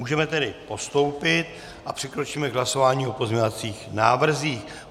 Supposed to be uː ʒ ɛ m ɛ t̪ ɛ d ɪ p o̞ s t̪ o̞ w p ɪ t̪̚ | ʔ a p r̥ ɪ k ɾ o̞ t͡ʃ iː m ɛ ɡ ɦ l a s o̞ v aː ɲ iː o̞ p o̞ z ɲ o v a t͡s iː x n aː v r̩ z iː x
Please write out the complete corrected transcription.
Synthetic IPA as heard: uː ʒ ɛ m ɛ t̪ ɛ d ɪ p o̞ s t̪ o̞ w p ɪ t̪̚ | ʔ a p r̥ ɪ k ɾ o̞ t͡ʃ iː m ɛ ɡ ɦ l a s o̞ v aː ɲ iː o̞ p o̞ z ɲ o v a t͡s iː x n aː v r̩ z iː x